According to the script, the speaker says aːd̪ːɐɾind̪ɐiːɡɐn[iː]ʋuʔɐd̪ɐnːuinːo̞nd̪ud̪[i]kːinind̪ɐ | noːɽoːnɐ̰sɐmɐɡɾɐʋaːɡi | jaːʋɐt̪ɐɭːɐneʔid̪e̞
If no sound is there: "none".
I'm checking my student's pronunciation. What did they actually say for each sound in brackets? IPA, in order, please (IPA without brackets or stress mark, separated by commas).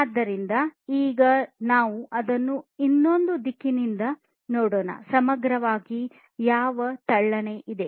aː, i